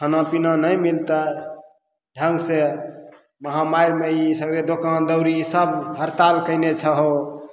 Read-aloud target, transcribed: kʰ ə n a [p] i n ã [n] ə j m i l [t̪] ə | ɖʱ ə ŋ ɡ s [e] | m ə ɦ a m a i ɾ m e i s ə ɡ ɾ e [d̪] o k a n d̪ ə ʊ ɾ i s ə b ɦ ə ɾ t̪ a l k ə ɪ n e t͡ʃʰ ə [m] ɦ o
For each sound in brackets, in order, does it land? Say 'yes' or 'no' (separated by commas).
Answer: yes, yes, yes, yes, yes, no